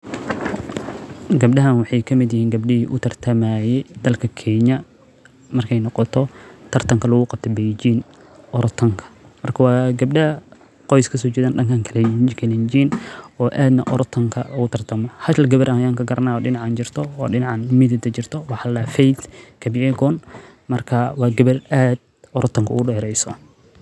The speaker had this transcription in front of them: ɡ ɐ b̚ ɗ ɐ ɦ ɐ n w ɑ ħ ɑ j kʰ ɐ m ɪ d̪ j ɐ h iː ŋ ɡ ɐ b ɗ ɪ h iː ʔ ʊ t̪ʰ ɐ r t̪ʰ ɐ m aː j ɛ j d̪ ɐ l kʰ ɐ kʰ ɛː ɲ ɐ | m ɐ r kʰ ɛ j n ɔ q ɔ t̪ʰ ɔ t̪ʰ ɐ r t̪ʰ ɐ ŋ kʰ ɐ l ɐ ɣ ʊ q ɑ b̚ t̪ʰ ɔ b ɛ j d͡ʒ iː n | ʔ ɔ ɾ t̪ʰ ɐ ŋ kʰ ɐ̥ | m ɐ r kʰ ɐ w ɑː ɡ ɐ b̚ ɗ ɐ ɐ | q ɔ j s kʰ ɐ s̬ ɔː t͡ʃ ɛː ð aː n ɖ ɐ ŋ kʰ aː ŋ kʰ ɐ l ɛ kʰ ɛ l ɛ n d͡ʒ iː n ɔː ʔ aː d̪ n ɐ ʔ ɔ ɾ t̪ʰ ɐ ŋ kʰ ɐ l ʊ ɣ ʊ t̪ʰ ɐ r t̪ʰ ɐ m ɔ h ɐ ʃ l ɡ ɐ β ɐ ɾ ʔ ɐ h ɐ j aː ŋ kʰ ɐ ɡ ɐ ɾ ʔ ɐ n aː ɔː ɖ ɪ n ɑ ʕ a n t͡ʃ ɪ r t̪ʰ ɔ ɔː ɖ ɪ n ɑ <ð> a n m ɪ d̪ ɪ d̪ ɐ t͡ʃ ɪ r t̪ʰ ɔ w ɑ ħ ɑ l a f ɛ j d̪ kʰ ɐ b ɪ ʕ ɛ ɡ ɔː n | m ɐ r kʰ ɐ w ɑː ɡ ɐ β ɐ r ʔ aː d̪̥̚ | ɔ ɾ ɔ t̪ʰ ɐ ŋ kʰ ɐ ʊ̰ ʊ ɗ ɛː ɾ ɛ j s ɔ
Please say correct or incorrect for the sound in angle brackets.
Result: incorrect